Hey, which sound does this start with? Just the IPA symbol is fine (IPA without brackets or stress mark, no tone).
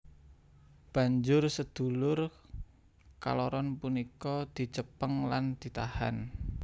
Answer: b̥